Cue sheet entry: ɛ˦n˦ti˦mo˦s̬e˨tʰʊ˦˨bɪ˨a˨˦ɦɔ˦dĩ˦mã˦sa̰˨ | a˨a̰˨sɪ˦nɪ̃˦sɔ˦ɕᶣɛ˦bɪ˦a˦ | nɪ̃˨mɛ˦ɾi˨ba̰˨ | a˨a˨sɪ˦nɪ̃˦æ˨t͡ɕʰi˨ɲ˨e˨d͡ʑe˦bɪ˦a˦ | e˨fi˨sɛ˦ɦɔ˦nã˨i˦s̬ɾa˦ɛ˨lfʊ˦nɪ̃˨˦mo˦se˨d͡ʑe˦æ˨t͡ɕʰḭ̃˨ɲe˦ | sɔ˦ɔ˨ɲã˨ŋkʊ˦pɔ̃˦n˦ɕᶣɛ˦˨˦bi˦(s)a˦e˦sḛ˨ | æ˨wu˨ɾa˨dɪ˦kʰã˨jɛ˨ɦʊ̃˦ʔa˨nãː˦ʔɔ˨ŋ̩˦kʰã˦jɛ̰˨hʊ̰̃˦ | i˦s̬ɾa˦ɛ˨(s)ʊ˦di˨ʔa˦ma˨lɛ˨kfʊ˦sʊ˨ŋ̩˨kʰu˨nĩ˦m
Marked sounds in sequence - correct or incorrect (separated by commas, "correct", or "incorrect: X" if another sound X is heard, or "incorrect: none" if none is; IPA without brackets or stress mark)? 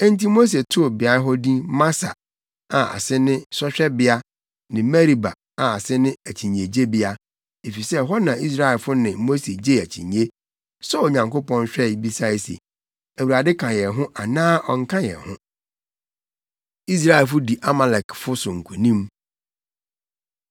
correct, incorrect: f